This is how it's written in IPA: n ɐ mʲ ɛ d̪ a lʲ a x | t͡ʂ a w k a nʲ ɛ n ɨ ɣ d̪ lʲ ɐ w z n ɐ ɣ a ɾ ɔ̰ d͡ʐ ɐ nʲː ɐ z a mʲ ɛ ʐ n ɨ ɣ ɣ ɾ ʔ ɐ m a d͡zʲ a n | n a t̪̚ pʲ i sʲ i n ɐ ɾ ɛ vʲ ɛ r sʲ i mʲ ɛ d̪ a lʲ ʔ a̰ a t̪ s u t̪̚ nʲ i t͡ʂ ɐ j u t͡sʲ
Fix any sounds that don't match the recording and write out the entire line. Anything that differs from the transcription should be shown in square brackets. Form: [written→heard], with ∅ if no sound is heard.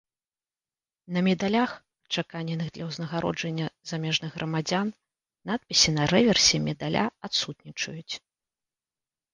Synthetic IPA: n ɐ mʲ ɛ d̪ a lʲ a x | t͡ʂ a [w→∅] k a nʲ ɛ n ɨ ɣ d̪ lʲ ɐ w z n ɐ ɣ a ɾ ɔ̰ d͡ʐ ɐ nʲː ɐ z a mʲ ɛ ʐ n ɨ ɣ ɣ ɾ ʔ ɐ m a d͡zʲ a n | n a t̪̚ pʲ i sʲ i n ɐ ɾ ɛ vʲ ɛ r sʲ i mʲ ɛ d̪ a lʲ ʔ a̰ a t̪ s u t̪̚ nʲ i t͡ʂ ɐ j u t͡sʲ

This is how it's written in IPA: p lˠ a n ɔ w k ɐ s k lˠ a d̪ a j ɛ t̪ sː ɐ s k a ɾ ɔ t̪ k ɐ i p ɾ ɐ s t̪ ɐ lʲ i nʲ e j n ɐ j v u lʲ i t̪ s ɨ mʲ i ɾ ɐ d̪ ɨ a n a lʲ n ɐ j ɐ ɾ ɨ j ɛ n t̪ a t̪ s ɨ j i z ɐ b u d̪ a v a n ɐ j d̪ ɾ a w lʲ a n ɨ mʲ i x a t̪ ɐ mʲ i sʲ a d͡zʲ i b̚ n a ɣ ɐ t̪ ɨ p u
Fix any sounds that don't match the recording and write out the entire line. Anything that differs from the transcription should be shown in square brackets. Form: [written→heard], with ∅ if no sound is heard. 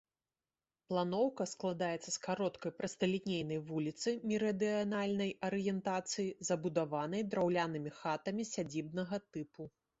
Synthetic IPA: p lˠ a n ɔ w k ɐ s k lˠ a d̪ a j ɛ t̪ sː ɐ s k a ɾ ɔ t̪ k ɐ [i→j] p ɾ ɐ s t̪ ɐ lʲ i nʲ e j n ɐ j v u lʲ i t̪ s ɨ mʲ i ɾ ɐ d̪ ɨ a n a lʲ n ɐ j ɐ ɾ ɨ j ɛ n t̪ a t̪ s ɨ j i z ɐ b u d̪ a v a n ɐ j d̪ ɾ a w lʲ a n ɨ mʲ i x a t̪ ɐ mʲ i sʲ a d͡zʲ i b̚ n [a→ɐ] ɣ ɐ t̪ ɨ p u

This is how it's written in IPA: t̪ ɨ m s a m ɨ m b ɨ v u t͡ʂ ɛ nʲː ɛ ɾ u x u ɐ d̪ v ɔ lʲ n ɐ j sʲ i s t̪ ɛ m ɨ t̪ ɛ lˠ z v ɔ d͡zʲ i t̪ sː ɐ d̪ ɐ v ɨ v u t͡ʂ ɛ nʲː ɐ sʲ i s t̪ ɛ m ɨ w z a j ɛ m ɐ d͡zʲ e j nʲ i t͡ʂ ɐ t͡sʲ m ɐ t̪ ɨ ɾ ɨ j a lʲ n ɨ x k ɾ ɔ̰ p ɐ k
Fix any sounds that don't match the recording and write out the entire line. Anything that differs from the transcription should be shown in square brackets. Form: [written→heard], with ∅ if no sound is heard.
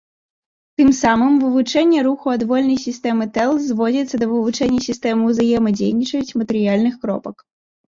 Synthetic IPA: t̪ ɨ m s a m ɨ m [b→v] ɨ v u t͡ʂ ɛ nʲː ɛ ɾ u x u ɐ d̪ v ɔ lʲ n ɐ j sʲ i s t̪ ɛ m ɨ t̪ ɛ lˠ z v ɔ d͡zʲ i t̪ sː ɐ d̪ ɐ v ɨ v u t͡ʂ ɛ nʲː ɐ sʲ i s t̪ ɛ m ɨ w z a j ɛ m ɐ d͡zʲ e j nʲ i t͡ʂ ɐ t͡sʲ m ɐ t̪ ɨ ɾ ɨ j a lʲ n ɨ x k ɾ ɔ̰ p ɐ k

